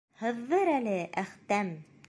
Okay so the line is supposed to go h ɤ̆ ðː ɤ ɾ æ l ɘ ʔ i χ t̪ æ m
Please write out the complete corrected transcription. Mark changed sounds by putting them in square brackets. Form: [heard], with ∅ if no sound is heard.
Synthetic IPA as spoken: h ɤ̆ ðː ɤ ɾ æ l ɘ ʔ [æ] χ t̪ æ m